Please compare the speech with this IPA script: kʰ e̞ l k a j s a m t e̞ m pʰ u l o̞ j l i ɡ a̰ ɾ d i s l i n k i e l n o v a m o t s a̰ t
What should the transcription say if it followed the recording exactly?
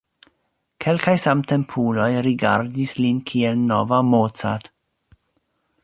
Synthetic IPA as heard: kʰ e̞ l k a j s a m t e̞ m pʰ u l o̞ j ɾ i ɡ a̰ ɾ d i s l i n kʰ i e l n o v a m o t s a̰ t